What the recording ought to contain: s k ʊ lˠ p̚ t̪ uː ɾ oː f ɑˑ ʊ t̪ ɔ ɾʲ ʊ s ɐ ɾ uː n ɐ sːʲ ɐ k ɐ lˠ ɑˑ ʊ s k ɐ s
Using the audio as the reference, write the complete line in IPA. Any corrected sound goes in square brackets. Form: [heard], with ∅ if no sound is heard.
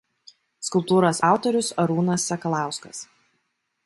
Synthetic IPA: s k ʊ lˠ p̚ t̪ uː ɾ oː [s] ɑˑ ʊ t̪ ɔ ɾʲ ʊ s ɐ ɾ uː n ɐ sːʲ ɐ k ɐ lˠ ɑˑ ʊ s k ɐ s